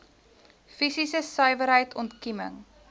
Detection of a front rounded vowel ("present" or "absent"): present